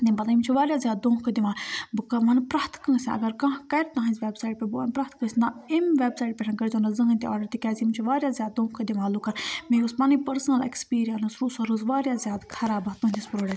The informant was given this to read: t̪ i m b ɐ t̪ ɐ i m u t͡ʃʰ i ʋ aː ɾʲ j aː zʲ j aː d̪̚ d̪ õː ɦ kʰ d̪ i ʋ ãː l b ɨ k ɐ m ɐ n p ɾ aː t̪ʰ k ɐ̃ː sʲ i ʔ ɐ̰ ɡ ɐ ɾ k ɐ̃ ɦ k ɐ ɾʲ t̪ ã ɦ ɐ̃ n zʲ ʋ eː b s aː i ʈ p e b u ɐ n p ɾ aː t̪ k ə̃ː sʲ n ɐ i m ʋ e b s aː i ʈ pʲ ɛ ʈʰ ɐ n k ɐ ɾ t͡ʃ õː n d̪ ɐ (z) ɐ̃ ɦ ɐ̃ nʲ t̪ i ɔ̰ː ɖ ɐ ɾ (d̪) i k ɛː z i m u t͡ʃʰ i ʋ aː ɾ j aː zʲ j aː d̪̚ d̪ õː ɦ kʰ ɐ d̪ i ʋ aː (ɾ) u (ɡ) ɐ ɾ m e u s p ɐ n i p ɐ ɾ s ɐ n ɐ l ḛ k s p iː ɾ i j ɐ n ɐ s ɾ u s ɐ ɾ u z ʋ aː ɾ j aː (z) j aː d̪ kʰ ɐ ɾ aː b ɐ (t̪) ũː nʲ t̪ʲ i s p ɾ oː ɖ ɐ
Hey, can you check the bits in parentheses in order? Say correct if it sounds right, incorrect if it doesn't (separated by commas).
correct, incorrect, incorrect, incorrect, correct, correct